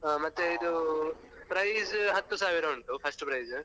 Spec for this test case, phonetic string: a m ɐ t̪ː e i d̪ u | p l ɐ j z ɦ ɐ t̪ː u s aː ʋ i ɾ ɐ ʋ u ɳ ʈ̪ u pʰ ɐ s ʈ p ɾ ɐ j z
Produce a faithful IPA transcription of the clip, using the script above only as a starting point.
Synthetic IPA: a m ɐ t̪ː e i d̪ u | p ɾ ɐ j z ɦ ɐ t̪ː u s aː ʋ i ɾ ɐ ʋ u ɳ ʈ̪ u pʰ ɐ s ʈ p ɾ ɐ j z